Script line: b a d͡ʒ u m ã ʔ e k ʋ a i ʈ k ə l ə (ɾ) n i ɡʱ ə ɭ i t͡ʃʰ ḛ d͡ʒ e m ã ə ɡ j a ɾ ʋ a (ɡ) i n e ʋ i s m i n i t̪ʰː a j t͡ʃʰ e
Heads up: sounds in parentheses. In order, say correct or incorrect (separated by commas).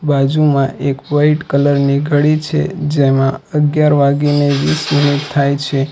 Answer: correct, correct